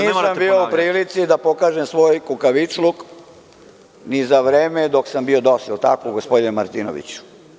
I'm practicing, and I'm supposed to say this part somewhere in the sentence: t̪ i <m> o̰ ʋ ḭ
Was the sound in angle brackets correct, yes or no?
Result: no